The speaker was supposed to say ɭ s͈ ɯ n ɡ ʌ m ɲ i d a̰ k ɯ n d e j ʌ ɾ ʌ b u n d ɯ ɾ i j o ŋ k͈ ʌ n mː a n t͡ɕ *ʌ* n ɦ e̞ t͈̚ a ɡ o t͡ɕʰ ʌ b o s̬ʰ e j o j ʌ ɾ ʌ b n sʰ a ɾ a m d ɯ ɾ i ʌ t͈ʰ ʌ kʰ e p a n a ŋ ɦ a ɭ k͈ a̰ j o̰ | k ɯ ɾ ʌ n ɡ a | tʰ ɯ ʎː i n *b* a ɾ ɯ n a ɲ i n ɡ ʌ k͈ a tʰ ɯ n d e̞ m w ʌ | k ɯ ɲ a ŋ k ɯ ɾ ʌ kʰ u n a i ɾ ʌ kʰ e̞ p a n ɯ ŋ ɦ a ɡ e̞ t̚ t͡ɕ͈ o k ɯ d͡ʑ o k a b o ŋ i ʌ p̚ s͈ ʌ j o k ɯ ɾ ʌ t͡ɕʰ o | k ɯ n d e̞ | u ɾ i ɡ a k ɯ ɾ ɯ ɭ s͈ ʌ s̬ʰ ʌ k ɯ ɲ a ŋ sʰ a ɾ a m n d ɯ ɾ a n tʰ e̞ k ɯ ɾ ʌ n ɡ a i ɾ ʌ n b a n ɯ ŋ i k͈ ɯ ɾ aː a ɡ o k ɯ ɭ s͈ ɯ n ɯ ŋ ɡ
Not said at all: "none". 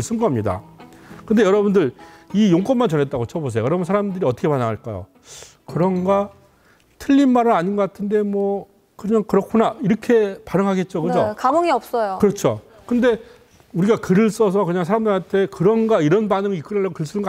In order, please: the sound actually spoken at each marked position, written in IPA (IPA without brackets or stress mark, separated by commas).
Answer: ʌ, m